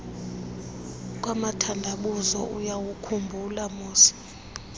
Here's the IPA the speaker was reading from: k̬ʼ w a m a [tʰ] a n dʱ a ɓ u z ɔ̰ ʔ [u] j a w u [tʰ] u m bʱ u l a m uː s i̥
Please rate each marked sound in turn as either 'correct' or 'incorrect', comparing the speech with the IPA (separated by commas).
correct, correct, incorrect